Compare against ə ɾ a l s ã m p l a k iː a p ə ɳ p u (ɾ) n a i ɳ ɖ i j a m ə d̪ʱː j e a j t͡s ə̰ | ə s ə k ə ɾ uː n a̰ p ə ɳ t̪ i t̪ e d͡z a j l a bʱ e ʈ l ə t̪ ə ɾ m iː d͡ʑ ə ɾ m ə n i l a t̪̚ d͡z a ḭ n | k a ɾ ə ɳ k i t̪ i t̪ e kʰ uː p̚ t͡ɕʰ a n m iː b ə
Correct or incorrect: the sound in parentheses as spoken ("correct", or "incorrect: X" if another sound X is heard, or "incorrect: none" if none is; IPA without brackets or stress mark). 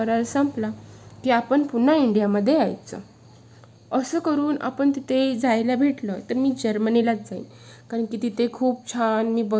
incorrect: none